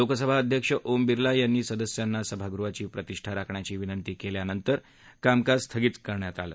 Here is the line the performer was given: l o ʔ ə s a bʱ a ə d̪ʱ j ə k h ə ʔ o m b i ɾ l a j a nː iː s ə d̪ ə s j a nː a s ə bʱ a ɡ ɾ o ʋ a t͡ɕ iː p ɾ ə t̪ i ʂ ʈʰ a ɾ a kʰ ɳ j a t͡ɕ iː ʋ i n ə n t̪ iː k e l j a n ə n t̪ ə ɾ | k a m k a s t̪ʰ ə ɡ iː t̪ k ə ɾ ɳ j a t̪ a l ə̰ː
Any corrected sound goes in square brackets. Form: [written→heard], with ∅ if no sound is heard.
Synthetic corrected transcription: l o [ʔ→k] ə s [a→ə] bʱ a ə d̪ʱ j ə k [h→ʂ] ə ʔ o m b i ɾ l a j a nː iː s ə d̪ ə s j a nː a s ə bʱ a ɡ ɾ [o→u] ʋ a t͡ɕ iː p ɾ ə t̪ i ʂ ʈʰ a ɾ a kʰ ɳ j a t͡ɕ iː ʋ i n ə n t̪ iː k e l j a n ə n t̪ ə ɾ | k a m k a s t̪ʰ ə ɡ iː t̪ k ə ɾ ɳ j a t̪ a l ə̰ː